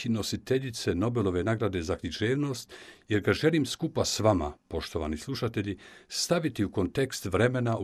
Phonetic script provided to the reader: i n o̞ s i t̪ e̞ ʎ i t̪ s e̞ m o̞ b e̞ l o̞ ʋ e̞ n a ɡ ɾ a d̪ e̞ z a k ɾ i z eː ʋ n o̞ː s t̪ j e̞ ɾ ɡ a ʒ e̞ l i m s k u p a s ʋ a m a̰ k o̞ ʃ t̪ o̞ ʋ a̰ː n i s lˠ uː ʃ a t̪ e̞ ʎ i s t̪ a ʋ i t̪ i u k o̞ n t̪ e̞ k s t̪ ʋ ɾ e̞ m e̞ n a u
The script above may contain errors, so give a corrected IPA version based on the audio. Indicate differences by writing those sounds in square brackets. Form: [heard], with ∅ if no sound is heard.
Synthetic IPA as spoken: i n o̞ s i t̪ e̞ ʎ i t̪ s e̞ [n] o̞ b e̞ l o̞ ʋ e̞ n a ɡ ɾ a d̪ e̞ z a k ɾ i [ʒ] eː ʋ n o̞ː s t̪ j e̞ ɾ ɡ a ʒ e̞ l i m s k u p a s ʋ a m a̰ [p] o̞ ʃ t̪ o̞ ʋ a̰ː n i s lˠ [u] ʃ a t̪ e̞ ʎ i s t̪ a ʋ i t̪ i u k o̞ n t̪ e̞ k s t̪ ʋ ɾ e̞ m e̞ n a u